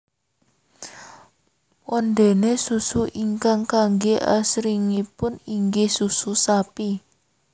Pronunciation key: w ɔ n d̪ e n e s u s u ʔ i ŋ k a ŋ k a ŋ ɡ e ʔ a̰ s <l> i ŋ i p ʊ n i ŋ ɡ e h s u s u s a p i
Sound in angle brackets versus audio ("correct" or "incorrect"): incorrect